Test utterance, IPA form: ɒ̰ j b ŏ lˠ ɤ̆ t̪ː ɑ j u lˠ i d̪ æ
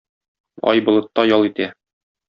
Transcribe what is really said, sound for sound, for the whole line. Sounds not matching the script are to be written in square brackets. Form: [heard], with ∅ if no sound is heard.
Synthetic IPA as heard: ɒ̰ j b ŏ lˠ ɤ̆ t̪ː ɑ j [ɒ] lˠ i [t̪] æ